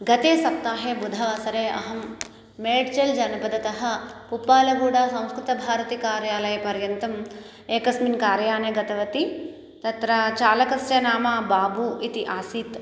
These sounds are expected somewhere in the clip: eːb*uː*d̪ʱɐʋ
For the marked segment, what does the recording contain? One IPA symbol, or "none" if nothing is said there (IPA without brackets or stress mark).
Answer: u